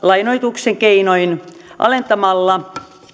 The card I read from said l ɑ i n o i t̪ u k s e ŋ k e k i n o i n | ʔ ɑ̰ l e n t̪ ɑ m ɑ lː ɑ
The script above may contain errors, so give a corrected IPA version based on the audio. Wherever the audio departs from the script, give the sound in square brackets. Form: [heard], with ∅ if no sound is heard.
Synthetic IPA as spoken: l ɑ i n o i t̪ u k s e ŋ k e [∅] i n o i n | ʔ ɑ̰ l e n t̪ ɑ m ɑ lː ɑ